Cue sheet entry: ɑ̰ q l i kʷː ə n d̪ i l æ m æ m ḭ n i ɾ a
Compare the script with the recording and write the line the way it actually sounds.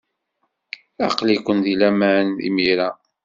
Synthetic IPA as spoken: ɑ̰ q l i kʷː ə n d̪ i l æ m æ n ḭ m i ɾ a